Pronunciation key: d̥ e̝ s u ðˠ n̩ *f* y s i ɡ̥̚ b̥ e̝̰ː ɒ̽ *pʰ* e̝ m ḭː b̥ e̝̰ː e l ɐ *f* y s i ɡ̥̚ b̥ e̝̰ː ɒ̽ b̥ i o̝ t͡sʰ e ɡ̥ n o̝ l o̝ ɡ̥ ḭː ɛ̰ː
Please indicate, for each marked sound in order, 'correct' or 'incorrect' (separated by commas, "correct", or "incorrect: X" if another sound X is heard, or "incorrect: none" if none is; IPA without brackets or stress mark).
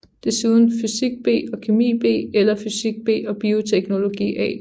correct, incorrect: kʰ, correct